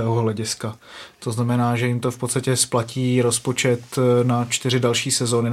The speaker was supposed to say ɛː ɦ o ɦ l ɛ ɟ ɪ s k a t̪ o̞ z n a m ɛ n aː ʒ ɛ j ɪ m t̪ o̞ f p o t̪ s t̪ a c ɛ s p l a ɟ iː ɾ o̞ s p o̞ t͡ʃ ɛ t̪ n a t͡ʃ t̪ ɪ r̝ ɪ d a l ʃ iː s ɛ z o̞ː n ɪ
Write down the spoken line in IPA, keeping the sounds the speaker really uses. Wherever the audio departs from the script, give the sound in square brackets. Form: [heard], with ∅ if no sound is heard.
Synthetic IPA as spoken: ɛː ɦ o ɦ l ɛ ɟ ɪ s k a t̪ o̞ z n a m ɛ n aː ʒ ɛ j ɪ m t̪ o̞ f p o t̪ s t̪ a c ɛ s p l a [c] iː ɾ o̞ s p o̞ t͡ʃ ɛ t̪ n a t͡ʃ t̪ ɪ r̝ ɪ d a l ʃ iː s ɛ z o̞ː n ɪ